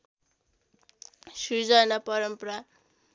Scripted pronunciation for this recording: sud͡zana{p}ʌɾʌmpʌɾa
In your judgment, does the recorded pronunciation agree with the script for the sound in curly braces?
yes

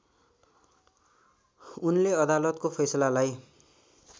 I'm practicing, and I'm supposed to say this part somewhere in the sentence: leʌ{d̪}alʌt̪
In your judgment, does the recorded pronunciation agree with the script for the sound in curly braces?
yes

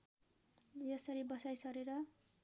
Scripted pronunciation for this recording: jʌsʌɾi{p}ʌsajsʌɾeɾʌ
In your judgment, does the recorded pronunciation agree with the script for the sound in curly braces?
no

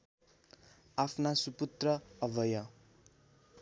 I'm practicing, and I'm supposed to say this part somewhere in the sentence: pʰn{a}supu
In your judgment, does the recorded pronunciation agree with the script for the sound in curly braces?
yes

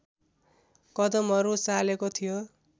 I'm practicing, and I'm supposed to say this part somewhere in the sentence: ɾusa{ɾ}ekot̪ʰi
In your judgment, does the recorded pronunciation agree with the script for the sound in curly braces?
no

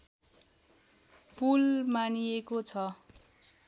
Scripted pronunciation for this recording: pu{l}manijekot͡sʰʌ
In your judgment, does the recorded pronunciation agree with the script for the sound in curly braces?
yes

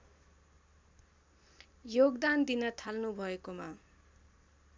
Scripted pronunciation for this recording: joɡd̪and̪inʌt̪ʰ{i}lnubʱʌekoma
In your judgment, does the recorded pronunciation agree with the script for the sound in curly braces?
no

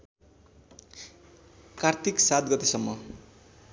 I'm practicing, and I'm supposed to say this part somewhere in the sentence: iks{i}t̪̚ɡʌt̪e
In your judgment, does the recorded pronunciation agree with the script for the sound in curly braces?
no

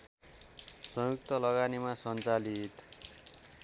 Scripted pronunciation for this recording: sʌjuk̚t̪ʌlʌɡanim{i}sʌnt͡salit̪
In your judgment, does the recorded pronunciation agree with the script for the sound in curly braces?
no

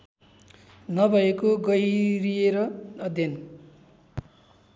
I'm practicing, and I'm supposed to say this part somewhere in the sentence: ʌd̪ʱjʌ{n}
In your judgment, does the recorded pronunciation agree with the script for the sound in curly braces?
yes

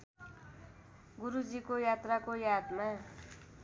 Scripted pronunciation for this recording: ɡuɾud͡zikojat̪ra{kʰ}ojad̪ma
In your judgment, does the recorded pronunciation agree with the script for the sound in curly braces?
no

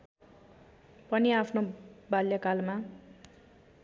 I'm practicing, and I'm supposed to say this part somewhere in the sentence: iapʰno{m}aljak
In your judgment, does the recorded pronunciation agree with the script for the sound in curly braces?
no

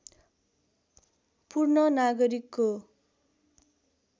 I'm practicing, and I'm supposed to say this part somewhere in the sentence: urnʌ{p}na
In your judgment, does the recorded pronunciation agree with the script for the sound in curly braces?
no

